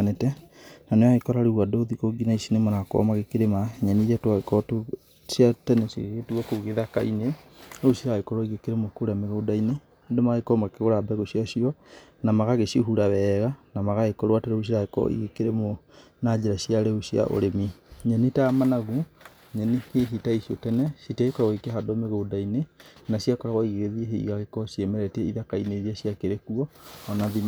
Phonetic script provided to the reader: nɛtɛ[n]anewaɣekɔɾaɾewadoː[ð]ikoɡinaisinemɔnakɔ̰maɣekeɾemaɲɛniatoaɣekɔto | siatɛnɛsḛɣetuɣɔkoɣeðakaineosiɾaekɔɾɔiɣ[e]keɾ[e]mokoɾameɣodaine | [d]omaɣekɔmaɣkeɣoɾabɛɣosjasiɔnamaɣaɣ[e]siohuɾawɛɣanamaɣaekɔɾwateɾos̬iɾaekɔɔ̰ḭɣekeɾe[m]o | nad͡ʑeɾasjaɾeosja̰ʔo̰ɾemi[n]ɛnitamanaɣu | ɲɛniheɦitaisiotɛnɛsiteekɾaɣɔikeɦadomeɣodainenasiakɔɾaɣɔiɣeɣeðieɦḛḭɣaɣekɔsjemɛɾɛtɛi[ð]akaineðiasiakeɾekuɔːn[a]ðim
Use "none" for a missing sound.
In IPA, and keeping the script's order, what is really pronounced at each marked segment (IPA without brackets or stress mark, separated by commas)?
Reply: n, ð, e, e, d, e, m, ɲ, ð, a